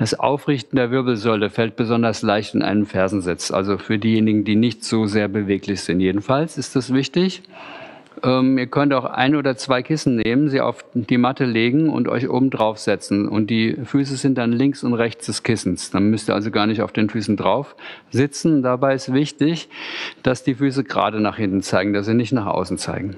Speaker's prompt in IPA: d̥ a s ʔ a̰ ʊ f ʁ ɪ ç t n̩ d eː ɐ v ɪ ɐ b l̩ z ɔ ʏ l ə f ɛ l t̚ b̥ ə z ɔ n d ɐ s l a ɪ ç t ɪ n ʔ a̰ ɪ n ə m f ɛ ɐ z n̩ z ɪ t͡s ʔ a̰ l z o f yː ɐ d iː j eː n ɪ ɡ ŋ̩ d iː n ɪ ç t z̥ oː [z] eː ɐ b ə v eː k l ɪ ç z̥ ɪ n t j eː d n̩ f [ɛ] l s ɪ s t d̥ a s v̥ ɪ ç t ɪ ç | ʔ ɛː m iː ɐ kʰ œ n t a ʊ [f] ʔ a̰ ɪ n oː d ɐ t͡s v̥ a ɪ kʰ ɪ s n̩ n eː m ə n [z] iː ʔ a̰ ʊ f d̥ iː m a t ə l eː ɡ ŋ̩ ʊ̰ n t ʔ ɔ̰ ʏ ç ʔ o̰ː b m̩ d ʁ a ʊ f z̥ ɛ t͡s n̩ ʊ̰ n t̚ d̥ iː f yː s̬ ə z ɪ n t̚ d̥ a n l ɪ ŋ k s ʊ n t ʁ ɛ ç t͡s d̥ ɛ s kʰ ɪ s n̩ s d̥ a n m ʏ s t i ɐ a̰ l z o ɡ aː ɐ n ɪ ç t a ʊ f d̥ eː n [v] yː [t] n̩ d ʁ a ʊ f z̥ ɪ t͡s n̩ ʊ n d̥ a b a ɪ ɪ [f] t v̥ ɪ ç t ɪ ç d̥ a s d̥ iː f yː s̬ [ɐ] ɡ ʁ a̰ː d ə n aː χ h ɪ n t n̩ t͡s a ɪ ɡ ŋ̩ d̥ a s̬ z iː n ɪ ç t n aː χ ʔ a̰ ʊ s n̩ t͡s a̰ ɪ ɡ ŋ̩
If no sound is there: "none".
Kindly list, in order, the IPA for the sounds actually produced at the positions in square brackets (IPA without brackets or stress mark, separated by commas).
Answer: z, a, x, z, f, s, s, ə